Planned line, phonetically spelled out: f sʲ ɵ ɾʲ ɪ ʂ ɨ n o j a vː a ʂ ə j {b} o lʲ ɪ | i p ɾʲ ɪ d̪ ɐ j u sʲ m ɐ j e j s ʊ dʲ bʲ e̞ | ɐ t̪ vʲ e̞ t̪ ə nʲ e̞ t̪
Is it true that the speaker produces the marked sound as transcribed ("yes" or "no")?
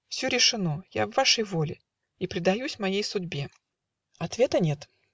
no